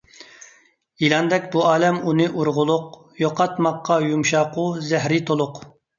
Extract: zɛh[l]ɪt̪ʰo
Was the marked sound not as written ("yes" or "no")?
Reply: yes